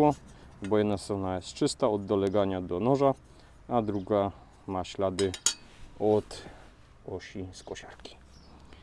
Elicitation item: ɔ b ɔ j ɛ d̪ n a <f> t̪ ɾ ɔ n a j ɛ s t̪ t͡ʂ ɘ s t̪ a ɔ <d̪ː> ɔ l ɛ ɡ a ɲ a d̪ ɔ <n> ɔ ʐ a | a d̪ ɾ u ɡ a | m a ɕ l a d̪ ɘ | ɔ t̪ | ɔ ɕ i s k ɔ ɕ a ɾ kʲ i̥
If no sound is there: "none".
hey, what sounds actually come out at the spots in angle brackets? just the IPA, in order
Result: s, d̪ː, n

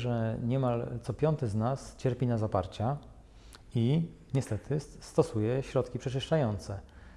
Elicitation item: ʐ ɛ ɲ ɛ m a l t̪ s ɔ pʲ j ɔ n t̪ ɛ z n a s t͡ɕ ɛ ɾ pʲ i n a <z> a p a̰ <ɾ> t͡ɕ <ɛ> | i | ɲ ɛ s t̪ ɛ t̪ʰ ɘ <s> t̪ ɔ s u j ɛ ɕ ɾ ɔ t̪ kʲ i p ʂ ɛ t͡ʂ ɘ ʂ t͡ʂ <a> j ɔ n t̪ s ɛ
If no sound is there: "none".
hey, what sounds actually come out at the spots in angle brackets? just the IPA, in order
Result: z, ɾ, a, s, a

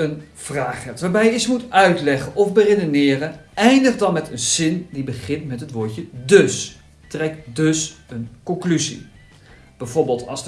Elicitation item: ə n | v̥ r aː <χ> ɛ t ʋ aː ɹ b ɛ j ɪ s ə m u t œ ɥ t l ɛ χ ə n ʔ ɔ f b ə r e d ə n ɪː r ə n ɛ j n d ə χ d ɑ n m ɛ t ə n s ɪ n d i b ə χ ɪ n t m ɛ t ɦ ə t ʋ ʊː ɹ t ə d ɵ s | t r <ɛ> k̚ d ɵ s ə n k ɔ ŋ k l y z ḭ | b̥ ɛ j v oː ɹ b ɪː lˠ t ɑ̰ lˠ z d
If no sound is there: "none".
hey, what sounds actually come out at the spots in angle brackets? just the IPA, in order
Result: χ, ɛ

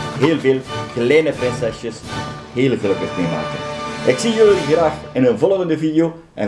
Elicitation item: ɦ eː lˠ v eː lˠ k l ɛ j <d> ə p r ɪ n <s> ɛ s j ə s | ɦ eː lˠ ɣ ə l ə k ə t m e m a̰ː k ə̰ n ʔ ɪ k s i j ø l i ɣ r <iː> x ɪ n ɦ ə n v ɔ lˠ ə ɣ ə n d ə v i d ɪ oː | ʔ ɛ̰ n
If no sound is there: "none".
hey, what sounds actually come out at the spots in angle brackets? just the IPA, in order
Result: n, s, aː

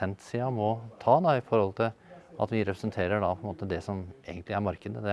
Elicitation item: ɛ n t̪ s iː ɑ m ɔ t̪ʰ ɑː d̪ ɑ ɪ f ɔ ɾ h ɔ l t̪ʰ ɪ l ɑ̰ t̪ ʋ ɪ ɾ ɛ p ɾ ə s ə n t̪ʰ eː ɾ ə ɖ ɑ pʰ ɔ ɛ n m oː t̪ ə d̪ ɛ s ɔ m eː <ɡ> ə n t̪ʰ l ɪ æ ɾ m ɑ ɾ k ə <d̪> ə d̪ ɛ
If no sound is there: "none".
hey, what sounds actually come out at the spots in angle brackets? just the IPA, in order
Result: ɡ, d̪

